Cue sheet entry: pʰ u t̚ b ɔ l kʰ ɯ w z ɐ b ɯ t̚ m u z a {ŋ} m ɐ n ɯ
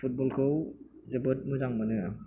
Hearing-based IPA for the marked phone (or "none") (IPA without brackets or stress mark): ŋ